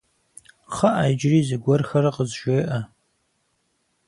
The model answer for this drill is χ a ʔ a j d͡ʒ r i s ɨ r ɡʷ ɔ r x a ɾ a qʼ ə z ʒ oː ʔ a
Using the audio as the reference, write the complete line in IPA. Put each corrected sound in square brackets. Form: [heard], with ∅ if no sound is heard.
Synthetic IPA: χ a ʔ a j d͡ʒ r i [z] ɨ [∅] ɡʷ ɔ r x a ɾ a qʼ ə z ʒ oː ʔ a